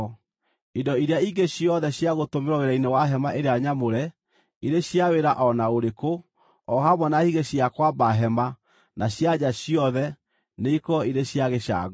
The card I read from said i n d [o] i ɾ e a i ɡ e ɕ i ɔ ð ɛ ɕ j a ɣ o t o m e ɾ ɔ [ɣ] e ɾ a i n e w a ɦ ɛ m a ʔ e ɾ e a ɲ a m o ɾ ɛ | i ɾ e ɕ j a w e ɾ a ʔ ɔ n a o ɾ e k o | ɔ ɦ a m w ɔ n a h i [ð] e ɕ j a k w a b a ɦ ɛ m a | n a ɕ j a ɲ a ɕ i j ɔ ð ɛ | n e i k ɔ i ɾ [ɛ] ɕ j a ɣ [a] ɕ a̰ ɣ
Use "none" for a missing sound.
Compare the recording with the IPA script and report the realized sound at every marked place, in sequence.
ɔ, ɣ, ɣ, e, e

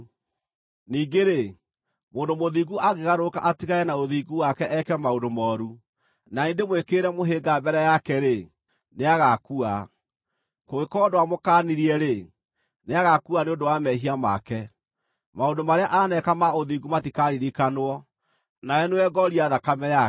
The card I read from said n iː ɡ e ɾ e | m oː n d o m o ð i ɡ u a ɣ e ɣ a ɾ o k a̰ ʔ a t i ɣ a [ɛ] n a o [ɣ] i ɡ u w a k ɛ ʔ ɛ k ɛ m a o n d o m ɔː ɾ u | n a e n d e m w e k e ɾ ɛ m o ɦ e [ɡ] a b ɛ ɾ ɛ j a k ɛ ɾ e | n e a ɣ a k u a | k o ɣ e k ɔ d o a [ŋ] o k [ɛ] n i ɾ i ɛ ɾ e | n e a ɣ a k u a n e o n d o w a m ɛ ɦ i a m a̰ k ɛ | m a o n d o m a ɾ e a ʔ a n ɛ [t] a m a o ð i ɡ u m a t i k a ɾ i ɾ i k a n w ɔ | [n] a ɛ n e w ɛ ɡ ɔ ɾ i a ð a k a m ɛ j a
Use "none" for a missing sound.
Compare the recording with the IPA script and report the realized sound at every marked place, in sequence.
ɛ, ð, ɡ, m, a, k, n

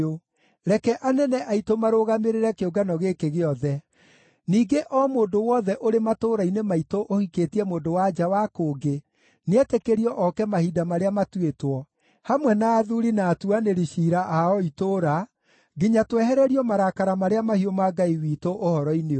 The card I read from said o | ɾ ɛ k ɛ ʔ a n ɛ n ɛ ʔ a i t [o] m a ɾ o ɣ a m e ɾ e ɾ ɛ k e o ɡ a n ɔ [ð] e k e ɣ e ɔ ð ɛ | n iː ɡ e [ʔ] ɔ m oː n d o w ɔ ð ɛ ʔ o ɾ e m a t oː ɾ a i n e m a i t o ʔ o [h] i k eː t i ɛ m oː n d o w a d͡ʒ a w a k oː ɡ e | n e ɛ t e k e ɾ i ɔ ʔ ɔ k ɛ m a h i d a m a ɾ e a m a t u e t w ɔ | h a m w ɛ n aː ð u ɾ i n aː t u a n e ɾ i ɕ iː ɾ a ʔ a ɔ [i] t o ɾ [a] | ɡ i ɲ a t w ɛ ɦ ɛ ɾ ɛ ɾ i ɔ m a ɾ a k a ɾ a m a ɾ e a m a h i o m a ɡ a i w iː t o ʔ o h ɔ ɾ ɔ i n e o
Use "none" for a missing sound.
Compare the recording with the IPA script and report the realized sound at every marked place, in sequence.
o, ɣ, ʔ, h, i, a

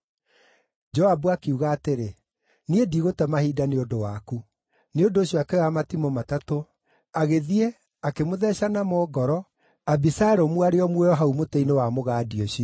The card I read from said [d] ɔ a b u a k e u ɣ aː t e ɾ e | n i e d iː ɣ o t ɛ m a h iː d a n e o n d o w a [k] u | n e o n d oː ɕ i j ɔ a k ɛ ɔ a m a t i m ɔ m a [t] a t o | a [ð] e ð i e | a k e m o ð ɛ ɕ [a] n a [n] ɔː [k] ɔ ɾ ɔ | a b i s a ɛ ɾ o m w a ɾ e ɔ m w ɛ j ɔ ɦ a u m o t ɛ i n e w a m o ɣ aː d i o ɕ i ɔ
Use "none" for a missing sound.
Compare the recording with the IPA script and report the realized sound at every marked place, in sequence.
d͡ʒ, k, t, ɣ, a, m, ɡ

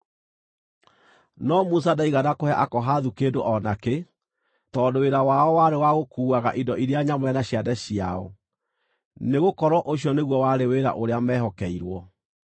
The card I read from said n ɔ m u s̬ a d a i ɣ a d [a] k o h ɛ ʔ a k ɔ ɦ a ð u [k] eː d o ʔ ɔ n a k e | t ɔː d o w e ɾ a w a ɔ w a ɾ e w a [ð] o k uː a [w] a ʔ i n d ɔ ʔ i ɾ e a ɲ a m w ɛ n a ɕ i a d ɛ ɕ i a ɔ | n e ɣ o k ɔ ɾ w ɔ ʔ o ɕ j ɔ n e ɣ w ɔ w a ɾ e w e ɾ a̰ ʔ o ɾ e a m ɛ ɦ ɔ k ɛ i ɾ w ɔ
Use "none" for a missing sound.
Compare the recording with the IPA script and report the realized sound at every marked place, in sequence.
a, k, ɣ, ɣ

